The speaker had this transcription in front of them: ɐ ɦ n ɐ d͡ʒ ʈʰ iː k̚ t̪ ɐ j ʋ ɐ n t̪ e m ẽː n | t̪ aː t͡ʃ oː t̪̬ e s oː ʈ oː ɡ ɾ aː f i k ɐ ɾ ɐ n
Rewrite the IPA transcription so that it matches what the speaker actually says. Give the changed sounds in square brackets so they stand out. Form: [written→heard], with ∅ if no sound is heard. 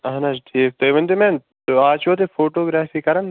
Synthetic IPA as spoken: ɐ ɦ n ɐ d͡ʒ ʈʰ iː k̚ t̪ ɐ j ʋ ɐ n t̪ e m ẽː n | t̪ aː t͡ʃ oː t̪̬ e [s→f] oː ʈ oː ɡ ɾ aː f i k ɐ ɾ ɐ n